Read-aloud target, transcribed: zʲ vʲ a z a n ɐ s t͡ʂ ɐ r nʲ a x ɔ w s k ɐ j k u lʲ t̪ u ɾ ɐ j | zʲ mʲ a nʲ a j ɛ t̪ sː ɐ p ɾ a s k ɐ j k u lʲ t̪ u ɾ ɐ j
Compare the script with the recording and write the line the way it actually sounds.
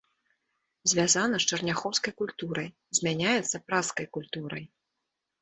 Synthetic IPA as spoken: zʲ vʲ a z a n ɐ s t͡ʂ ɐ r nʲ a x ɔ w s k ɐ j k u lʲ t̪ u ɾ ɐ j | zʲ mʲ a nʲ a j ɛ t̪ sː ɐ p ɾ a s k ɐ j k u lʲ t̪ u ɾ ɐ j